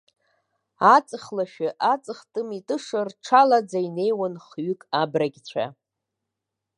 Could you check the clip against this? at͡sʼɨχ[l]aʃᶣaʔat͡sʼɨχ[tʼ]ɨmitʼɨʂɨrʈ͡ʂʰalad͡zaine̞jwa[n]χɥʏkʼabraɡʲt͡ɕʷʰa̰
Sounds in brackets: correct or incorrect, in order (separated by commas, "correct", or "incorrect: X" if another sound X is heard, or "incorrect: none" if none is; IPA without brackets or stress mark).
correct, correct, correct